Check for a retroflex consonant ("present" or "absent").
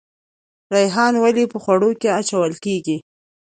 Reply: present